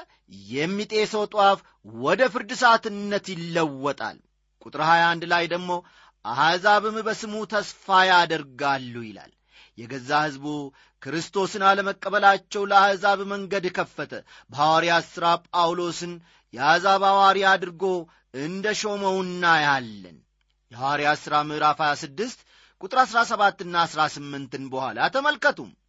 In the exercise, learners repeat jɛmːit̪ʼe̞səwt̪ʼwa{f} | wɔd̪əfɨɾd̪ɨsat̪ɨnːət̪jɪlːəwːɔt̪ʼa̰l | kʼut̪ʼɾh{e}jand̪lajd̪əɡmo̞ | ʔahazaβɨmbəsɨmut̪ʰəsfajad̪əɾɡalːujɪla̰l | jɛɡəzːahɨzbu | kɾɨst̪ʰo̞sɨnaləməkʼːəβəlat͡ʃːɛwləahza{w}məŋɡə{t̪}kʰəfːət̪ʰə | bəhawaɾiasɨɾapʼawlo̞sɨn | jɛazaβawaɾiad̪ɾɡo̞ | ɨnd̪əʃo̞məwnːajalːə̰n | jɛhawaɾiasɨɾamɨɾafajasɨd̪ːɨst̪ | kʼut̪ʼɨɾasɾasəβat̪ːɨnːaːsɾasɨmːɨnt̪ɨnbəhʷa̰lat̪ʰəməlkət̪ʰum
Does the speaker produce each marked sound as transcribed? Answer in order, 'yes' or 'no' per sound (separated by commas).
yes, no, no, no